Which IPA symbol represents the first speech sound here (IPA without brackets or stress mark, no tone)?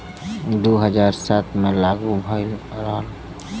d̪